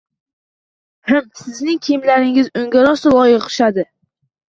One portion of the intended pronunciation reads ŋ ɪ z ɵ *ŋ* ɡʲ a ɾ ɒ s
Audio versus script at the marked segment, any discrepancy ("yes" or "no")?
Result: no